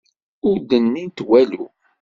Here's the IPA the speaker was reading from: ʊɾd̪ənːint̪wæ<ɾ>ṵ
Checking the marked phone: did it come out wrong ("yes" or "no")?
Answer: yes